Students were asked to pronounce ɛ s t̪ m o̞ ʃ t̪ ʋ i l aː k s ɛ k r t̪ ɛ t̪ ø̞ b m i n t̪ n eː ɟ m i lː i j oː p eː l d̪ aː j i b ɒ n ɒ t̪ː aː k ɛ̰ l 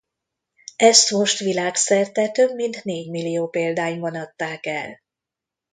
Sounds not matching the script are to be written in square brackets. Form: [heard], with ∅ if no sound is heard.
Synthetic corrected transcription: ɛ s t̪ m o̞ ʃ t̪ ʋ i l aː k s ɛ [∅] r t̪ ɛ t̪ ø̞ b m i n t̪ n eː ɟ m i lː i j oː p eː l d̪ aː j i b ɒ n ɒ t̪ː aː k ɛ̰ l